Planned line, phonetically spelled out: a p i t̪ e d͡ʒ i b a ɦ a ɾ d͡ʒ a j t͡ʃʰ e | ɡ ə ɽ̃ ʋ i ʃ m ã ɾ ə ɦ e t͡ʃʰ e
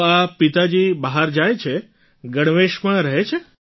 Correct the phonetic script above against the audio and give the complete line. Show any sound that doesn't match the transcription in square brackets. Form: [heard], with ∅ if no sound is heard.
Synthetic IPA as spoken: a p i t̪ [a] d͡ʒ i b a ɦ a ɾ d͡ʒ a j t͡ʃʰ e | ɡ ə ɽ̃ ʋ [e] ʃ m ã ɾ ə ɦ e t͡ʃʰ e